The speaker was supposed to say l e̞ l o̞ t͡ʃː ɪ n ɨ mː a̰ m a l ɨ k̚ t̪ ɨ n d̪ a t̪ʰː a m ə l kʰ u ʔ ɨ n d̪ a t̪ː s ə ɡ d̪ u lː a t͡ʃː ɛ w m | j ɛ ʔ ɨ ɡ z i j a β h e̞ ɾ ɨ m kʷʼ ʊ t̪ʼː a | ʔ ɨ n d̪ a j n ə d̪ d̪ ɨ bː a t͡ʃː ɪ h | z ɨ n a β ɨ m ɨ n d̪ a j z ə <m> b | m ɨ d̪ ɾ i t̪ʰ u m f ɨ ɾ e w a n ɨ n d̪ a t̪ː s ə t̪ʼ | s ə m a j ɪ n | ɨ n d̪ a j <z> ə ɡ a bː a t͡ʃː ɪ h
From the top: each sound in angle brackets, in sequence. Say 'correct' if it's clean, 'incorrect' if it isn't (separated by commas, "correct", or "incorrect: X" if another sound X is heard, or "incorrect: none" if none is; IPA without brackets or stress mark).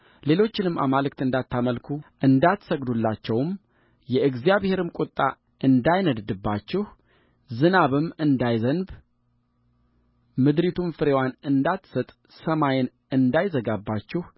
incorrect: n, correct